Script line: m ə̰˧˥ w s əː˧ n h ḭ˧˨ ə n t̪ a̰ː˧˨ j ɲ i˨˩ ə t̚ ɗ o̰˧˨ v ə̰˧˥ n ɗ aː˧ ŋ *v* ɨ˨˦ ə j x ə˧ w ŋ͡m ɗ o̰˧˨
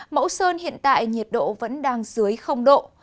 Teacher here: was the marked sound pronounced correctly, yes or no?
no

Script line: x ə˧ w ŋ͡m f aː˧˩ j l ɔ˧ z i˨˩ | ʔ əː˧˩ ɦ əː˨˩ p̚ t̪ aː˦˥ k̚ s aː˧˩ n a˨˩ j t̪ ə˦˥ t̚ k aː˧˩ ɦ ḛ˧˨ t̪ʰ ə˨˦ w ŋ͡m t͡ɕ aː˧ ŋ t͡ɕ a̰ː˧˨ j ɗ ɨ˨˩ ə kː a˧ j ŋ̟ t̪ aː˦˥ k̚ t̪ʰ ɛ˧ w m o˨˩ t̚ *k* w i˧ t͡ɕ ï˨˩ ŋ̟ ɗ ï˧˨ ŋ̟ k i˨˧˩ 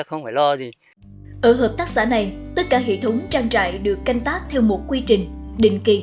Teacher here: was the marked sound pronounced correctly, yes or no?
yes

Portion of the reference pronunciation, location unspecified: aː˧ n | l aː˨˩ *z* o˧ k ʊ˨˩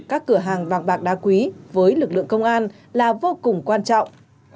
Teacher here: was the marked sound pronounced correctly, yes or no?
no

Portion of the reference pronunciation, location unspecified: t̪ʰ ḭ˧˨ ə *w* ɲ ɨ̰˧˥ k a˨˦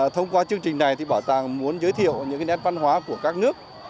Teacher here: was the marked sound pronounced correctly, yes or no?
yes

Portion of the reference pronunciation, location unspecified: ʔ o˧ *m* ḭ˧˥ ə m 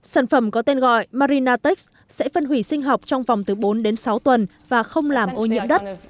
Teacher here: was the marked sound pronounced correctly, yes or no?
no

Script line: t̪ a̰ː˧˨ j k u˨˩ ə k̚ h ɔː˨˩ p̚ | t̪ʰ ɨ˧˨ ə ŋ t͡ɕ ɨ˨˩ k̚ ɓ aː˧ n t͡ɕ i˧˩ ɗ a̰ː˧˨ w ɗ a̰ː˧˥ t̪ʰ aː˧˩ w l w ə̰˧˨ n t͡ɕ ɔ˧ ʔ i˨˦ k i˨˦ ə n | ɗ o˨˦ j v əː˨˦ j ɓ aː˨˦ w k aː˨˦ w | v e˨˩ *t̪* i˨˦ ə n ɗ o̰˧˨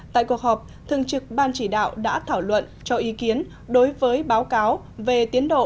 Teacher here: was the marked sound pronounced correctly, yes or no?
yes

